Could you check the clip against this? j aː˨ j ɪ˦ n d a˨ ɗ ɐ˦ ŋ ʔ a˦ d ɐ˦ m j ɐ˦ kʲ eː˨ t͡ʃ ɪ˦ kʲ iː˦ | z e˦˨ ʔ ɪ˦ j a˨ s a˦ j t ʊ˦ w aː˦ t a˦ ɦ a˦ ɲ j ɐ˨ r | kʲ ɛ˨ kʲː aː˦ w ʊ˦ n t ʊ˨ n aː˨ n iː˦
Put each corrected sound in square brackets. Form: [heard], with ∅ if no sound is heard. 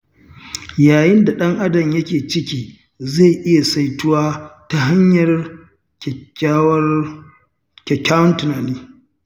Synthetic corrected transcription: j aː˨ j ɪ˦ n d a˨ ɗ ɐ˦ ŋ ʔ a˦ d [ɐ˨] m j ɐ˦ kʲ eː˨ t͡ʃ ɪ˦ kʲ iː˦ | z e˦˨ ʔ ɪ˦ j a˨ s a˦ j t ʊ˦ w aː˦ t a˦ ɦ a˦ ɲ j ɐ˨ r | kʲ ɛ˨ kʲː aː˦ w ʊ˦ n t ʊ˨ n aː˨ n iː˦